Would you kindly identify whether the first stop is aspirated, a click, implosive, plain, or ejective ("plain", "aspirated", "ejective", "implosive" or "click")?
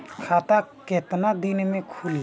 aspirated